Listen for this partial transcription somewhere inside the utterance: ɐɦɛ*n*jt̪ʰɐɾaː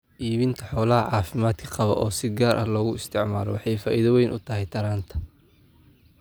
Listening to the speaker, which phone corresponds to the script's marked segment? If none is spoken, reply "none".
none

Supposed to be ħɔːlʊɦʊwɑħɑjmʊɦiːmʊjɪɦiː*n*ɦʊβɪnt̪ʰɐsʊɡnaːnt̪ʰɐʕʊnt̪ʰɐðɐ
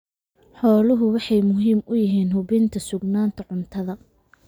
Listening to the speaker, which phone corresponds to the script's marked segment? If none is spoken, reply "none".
n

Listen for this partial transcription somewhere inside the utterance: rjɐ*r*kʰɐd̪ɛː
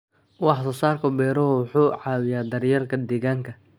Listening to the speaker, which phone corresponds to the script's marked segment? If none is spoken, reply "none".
r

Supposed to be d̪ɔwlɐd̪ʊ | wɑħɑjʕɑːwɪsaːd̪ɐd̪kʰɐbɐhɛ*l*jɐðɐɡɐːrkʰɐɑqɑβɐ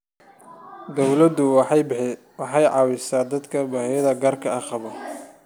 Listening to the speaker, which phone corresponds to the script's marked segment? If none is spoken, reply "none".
none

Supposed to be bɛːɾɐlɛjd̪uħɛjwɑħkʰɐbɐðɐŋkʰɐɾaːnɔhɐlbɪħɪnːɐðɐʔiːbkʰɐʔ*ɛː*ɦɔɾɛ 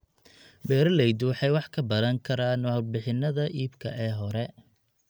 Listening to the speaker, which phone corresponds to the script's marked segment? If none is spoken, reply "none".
ɛː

